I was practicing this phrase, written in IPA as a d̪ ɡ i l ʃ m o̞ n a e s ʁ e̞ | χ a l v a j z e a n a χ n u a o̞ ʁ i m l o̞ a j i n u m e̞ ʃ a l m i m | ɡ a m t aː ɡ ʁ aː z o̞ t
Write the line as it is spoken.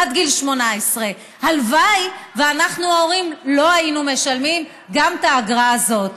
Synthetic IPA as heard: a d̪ ɡ i l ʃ m o̞ n a e s ʁ e̞ | h a l v a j v e a n a χ n u a o̞ ʁ i m l o̞ a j i n u m e̞ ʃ a l m i m | ɡ a m t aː ɡ ʁ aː z o̞ t